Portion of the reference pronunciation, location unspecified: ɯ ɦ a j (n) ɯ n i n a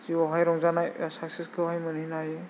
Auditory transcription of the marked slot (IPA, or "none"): m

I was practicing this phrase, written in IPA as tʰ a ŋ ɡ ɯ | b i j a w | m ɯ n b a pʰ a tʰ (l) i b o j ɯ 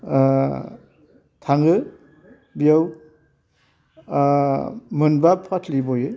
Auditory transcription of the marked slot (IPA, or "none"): l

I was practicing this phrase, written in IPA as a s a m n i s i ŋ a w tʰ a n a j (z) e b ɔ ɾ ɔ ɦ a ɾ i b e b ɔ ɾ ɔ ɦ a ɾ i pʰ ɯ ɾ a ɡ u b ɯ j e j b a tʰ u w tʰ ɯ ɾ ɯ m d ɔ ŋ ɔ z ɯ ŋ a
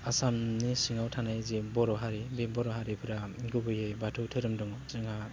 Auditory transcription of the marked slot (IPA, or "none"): z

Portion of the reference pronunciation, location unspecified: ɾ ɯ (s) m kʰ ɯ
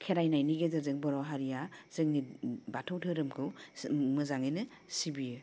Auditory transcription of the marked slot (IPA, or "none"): none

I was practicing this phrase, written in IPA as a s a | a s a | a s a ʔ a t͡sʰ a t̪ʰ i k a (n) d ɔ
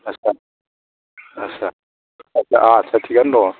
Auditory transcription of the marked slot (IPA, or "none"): n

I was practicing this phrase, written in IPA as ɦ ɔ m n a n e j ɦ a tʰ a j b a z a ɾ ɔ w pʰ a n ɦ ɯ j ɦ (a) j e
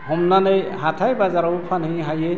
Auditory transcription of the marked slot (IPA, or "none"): a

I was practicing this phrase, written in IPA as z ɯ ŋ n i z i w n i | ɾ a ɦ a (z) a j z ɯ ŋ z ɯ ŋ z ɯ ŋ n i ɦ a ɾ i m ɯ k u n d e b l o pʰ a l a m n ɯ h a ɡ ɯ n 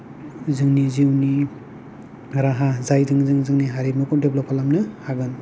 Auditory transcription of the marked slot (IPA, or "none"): z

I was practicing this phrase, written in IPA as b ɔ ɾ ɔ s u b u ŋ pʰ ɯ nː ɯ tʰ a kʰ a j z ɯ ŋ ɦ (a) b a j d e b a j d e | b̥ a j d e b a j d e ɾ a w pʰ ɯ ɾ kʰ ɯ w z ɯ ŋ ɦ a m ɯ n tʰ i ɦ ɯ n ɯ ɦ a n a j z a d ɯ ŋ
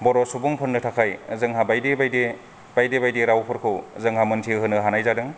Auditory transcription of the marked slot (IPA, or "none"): a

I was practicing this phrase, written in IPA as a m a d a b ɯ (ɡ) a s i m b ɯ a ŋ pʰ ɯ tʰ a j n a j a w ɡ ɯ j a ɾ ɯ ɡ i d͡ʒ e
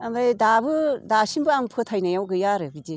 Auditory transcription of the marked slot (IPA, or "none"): d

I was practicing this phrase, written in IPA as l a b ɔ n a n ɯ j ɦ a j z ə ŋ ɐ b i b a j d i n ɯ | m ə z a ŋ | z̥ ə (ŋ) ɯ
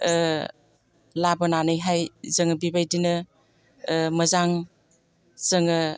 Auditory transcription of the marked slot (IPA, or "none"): ŋ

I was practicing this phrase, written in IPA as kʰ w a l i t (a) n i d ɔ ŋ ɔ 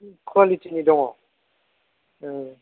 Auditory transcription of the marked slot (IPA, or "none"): i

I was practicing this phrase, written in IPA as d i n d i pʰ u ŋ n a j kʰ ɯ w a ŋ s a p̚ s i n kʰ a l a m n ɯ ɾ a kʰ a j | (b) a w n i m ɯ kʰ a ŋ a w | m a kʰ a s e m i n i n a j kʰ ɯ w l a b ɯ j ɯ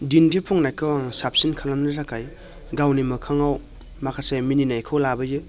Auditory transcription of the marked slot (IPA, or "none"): ɡ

